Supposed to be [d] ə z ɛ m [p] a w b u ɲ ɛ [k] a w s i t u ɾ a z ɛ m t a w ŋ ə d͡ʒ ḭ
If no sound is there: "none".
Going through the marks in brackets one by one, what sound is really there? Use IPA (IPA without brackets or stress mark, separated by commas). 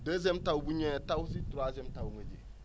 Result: d, t, t